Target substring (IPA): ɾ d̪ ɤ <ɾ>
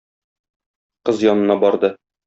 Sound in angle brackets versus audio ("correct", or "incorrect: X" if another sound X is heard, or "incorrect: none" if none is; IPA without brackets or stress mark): incorrect: none